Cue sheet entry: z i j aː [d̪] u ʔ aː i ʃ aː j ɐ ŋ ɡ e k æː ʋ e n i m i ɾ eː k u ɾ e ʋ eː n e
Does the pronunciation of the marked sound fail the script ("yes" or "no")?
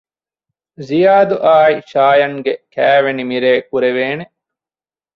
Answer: no